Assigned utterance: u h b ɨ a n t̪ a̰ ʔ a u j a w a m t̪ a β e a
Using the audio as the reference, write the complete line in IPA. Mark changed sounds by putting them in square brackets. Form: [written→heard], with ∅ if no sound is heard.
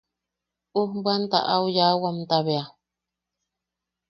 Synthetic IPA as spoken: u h b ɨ a n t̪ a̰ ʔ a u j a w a m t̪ a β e a